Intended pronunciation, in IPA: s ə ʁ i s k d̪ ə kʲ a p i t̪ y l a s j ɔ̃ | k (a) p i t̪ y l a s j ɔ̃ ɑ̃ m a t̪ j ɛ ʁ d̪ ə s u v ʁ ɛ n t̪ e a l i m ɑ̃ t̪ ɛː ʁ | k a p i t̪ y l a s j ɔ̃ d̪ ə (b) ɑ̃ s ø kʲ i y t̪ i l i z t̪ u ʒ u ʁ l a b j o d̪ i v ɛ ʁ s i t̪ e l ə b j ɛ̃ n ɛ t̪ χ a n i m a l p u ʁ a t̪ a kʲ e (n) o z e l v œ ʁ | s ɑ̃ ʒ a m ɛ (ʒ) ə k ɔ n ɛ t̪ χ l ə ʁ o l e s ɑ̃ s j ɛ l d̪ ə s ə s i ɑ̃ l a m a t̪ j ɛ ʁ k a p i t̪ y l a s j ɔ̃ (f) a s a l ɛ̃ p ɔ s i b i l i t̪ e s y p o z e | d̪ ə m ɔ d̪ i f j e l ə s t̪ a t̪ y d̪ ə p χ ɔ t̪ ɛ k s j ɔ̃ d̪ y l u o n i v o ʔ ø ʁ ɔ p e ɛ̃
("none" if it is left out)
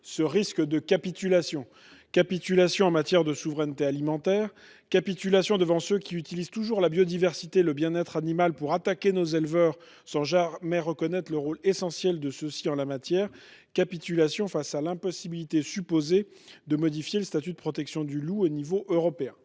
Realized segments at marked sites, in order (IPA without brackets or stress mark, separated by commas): a, v, n, ʁ, f